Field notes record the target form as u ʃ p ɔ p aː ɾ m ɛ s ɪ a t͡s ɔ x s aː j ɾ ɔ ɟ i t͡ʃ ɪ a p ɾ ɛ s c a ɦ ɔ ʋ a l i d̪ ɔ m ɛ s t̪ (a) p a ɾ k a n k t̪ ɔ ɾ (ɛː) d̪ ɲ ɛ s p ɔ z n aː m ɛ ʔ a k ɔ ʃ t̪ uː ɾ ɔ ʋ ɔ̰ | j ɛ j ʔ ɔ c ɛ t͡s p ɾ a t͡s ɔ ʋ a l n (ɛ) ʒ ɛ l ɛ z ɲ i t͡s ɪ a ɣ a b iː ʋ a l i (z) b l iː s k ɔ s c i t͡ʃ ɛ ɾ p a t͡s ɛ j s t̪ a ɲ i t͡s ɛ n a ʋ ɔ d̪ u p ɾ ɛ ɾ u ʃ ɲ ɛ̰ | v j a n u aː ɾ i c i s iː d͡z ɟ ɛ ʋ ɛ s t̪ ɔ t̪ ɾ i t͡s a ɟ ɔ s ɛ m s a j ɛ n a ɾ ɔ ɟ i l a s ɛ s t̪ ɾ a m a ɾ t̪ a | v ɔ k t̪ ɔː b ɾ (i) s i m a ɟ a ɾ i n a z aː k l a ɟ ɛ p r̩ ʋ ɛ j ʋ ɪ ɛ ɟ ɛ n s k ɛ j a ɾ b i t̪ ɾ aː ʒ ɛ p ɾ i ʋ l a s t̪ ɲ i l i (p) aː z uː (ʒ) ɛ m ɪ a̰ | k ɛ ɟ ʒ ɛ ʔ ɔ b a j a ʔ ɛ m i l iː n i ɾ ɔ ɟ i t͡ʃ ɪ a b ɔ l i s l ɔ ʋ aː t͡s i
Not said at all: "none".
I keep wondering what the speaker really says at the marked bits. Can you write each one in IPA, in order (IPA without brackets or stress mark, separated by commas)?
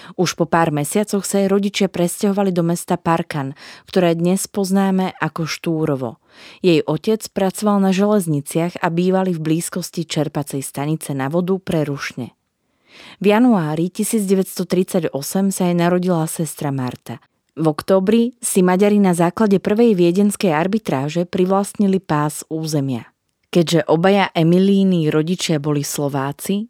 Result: a, ɛː, a, v, i, p, z